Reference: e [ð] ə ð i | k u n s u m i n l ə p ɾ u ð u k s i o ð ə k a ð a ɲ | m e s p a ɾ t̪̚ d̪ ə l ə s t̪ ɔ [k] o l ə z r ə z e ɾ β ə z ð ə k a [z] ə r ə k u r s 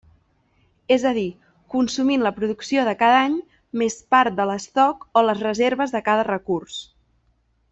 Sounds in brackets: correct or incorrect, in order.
incorrect: z, correct, incorrect: ð

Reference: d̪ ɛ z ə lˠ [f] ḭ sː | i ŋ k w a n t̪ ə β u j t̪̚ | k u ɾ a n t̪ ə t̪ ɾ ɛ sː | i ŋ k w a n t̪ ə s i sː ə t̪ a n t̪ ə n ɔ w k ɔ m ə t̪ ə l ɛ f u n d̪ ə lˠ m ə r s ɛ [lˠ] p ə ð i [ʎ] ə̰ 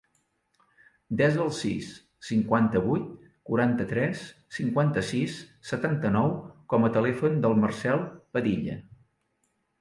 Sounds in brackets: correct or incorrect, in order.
incorrect: s, correct, correct

